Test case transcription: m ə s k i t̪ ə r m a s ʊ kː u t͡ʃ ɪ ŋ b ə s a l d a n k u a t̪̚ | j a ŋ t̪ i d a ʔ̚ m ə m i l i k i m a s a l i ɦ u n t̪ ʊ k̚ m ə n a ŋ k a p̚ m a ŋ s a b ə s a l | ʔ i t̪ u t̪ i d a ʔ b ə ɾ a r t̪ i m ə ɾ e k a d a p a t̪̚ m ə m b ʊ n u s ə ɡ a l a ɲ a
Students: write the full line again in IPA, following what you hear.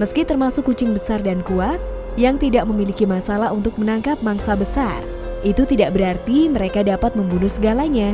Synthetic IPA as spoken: m ə s k i t̪ ə r m a s ʊ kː u t͡ʃ ɪ ŋ b ə s a r d a n k u a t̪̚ | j a ŋ t̪ i d a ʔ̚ m ə m i l i k i m a s a l a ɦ u n t̪ ʊ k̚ m ə n a ŋ k a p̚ m a ŋ s a b ə s a r | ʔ i t̪ u t̪ i d a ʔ b ə ɾ a r t̪ i m ə ɾ e k a d a p a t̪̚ m ə m b u n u s ə ɡ a l a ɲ a